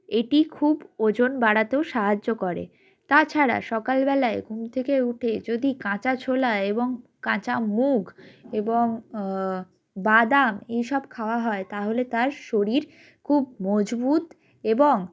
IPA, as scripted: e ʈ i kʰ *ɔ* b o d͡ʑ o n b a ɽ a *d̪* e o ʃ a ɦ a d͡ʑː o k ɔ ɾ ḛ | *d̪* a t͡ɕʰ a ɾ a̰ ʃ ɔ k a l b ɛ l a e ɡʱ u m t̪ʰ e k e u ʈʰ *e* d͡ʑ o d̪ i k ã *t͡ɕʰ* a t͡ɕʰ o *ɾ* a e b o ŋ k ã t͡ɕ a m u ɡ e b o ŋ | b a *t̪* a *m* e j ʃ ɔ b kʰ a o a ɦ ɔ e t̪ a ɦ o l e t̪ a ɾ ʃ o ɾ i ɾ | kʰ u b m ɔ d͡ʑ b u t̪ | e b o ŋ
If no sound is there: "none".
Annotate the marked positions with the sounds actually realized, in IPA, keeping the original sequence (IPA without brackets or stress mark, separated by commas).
u, t̪, t̪, e, t͡ɕ, l, d̪, m